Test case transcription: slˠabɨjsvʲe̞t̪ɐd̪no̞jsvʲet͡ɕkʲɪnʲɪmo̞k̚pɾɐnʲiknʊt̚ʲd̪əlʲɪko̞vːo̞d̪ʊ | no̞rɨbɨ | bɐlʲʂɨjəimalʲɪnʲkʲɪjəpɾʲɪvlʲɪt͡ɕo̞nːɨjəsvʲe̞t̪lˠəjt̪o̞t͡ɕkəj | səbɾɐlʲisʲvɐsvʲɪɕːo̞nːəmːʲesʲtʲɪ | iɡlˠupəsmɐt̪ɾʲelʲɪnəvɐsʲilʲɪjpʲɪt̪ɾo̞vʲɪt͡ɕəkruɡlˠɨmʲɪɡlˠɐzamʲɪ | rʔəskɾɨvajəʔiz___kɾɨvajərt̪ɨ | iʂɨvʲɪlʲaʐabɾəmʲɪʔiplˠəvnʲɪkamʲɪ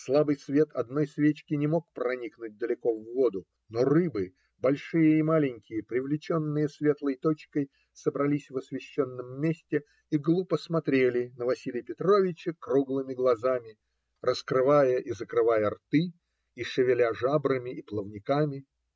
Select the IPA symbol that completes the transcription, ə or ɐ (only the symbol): ə